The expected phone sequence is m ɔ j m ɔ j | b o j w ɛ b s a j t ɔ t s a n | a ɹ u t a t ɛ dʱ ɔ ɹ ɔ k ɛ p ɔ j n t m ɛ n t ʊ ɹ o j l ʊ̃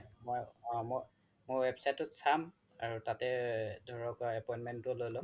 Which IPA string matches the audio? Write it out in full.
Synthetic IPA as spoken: m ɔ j m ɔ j | m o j w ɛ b s a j t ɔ t s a m | a ɹ u t a t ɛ dʱ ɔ ɹ ɔ k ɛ p ɔ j n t m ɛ n t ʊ l o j l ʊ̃